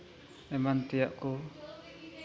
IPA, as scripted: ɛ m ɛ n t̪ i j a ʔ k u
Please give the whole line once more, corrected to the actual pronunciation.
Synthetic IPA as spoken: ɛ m a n t̪ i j a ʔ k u